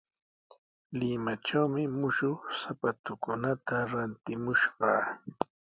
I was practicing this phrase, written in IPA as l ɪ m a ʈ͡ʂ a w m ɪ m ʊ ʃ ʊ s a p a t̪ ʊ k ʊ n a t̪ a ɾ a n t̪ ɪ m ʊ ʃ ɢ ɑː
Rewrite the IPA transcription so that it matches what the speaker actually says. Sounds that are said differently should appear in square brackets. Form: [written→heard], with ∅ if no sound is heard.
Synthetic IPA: l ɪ m a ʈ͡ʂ a w m ɪ m ʊ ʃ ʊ s a p a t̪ ʊ k ʊ n a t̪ a ɾ a n t̪ ɪ m ʊ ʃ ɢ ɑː